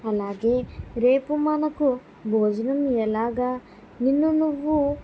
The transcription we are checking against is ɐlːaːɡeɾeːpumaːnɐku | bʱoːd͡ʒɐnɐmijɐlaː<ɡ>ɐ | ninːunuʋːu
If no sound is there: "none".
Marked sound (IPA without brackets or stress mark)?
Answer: ɡ